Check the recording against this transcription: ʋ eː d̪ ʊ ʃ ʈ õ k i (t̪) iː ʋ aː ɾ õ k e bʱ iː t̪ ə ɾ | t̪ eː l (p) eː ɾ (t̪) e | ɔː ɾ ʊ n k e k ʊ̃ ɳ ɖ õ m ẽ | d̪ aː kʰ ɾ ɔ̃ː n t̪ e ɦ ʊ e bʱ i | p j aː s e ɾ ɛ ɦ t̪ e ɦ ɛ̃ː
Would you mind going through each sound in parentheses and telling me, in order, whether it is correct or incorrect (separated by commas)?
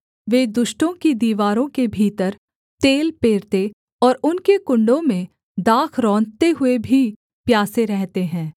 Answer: incorrect, correct, correct